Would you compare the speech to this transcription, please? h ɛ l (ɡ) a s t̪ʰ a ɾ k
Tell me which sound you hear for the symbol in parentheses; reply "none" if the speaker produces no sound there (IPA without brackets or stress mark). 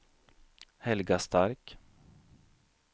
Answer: ɡ